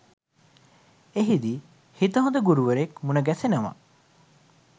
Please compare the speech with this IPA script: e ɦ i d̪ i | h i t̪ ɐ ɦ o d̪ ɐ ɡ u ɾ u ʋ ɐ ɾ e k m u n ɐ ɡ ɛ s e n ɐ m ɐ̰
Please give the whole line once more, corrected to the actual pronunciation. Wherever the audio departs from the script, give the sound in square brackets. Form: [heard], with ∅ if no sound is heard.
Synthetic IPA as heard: e ɦ i d̪ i | h i t̪ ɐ ɦ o d̪ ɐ ɡ u ɾ u ʋ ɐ ɾ e k m u n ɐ ɡ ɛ s e n ɐ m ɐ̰